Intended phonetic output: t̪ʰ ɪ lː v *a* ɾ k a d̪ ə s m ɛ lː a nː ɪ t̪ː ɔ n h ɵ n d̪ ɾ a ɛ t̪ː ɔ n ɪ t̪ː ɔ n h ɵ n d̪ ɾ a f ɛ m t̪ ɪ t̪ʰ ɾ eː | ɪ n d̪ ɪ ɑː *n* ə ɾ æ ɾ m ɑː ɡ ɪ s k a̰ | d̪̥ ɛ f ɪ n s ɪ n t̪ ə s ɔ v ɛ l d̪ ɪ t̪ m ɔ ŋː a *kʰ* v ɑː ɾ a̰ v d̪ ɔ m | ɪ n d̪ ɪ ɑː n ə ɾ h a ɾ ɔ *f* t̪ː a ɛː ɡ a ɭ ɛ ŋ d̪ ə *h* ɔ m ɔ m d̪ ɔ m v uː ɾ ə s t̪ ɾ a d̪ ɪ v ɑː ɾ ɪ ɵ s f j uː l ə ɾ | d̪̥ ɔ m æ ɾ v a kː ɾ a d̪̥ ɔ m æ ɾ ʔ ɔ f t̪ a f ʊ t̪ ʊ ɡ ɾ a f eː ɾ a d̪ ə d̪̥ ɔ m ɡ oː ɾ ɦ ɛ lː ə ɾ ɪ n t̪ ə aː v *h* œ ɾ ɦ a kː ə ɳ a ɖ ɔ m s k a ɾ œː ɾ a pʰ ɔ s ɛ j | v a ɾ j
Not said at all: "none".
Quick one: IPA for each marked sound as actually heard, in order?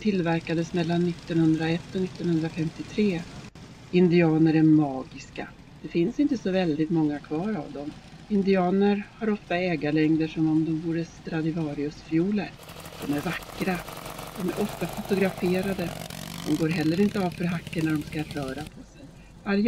æ, n, kʰ, f, ʂ, f

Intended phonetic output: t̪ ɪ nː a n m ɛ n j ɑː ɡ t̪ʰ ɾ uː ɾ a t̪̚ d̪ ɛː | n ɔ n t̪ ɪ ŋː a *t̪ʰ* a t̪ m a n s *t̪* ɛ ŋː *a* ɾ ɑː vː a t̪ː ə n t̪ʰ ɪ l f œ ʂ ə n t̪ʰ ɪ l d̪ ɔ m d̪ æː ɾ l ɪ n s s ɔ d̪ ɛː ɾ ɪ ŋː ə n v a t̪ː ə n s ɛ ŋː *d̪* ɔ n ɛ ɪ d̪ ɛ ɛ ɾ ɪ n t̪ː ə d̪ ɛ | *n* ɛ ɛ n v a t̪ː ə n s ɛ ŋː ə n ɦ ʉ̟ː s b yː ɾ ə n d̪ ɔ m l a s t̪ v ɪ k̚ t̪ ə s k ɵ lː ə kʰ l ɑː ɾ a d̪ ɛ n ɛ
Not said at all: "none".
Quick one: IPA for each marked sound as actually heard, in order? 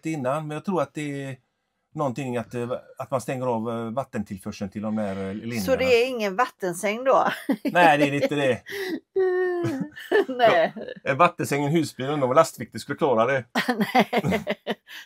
t̪, t̪, ə, d̪, n

